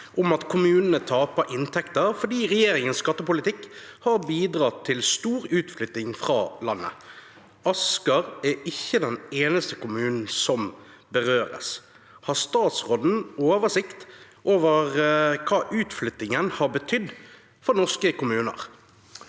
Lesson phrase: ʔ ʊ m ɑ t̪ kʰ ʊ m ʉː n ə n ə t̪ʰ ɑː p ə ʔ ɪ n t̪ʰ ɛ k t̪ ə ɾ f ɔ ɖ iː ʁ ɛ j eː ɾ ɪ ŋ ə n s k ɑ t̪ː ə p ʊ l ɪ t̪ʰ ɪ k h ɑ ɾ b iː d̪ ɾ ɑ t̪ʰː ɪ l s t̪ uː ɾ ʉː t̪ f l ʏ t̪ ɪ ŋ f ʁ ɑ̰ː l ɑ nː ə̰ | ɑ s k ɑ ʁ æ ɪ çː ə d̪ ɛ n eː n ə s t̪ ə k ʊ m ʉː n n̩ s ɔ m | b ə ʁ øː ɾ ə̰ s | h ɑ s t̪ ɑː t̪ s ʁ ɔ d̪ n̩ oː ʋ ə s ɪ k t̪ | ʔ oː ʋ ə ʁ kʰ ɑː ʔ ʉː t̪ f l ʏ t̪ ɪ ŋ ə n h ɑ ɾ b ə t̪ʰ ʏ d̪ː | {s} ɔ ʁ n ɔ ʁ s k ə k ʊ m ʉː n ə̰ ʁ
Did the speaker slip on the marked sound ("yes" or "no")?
yes